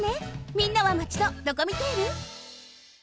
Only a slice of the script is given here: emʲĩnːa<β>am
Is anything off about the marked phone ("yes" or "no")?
no